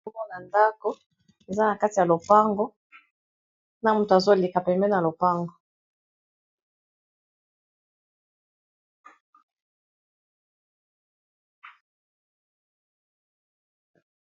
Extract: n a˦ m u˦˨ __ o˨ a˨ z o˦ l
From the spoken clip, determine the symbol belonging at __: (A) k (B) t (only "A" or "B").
B